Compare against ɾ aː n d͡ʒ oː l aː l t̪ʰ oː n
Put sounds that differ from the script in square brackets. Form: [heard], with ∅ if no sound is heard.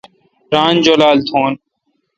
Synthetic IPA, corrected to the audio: ɾ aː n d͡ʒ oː l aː l t̪ʰ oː n